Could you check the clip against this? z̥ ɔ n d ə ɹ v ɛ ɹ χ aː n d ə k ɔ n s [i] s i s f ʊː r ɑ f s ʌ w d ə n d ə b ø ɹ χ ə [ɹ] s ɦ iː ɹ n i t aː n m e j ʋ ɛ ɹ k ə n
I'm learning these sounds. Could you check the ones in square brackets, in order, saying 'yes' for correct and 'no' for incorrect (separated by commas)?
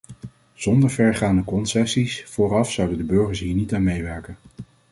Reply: no, yes